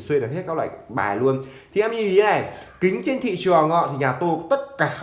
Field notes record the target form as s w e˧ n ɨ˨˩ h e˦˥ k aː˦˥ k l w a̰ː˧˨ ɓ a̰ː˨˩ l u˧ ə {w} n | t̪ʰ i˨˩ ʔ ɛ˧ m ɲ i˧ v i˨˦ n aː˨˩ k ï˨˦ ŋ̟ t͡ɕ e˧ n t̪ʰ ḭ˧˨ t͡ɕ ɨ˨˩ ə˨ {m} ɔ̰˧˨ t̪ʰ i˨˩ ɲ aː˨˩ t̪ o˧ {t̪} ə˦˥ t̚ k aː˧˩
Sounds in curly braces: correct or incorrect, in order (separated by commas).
incorrect, incorrect, correct